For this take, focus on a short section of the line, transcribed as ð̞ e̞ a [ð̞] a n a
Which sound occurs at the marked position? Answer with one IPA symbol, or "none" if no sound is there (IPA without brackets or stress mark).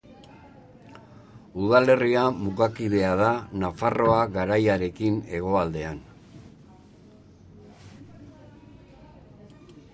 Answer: ð̞